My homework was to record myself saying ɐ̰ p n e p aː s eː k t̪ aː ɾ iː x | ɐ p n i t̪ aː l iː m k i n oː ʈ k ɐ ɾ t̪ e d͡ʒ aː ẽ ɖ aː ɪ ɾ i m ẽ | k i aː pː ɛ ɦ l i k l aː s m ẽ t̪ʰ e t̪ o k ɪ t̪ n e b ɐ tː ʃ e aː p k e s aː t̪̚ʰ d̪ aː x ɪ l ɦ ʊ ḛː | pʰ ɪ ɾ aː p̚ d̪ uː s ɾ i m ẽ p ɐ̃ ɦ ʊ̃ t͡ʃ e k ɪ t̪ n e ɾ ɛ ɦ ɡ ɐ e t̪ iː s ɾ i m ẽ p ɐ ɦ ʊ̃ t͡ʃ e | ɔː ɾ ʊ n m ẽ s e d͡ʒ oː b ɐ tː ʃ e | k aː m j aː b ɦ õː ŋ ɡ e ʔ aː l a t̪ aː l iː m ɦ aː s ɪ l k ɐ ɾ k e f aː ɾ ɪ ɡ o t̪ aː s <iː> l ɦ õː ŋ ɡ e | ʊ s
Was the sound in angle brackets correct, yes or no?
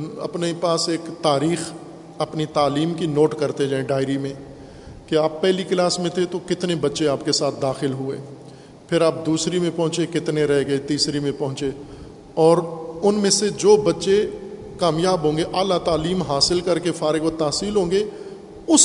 yes